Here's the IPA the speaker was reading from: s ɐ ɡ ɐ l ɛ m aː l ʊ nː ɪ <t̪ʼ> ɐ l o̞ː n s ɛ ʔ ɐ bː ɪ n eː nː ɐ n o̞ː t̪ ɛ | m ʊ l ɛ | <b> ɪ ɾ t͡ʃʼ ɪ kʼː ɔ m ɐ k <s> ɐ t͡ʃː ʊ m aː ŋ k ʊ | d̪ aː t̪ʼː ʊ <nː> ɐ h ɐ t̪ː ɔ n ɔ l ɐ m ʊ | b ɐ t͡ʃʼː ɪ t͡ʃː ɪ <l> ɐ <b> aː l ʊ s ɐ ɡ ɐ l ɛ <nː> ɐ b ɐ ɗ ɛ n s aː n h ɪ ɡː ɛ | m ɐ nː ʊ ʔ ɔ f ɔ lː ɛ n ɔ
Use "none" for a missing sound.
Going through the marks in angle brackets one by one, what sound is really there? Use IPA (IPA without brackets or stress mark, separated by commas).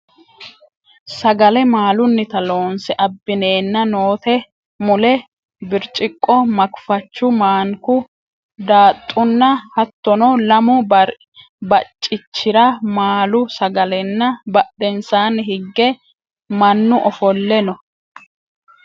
t̪, b, f, nː, ɾ, m, nː